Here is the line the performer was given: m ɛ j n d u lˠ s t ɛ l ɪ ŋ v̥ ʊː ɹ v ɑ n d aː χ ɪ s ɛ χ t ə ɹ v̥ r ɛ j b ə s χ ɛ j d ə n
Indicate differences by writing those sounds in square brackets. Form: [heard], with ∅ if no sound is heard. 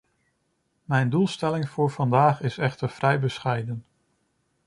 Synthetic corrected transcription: m ɛ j n d u lˠ s t ɛ l ɪ ŋ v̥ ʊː ɹ v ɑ n d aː χ ɪ s ɛ χ t ə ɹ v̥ r ɛ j b ə s χ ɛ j d ə n